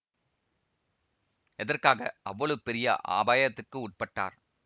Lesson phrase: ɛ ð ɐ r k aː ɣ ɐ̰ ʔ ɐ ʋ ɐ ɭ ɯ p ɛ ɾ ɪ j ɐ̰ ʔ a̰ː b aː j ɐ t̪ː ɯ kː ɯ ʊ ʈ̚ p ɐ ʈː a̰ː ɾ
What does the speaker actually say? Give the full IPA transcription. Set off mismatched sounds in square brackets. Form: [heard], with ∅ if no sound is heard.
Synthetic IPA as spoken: ɛ ð ɐ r k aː ɣ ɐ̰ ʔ ɐ [ʋː] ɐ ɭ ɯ p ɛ ɾ ɪ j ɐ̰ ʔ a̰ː b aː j ɐ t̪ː ɯ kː ɯ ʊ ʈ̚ p ɐ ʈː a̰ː ɾ